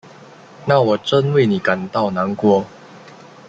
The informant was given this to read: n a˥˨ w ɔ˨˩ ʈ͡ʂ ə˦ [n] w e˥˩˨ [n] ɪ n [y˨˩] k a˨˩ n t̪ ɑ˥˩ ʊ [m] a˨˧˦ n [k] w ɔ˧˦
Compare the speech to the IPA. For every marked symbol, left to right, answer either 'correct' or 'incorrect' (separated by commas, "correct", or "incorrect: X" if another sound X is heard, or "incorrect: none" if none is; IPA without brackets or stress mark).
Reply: correct, incorrect: none, incorrect: i˨˩, incorrect: n, correct